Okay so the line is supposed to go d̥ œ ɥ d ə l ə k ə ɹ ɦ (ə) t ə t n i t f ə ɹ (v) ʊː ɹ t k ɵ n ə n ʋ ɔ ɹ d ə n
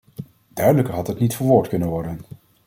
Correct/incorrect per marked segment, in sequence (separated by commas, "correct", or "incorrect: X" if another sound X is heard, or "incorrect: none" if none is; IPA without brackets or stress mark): incorrect: ɑ, incorrect: ʋ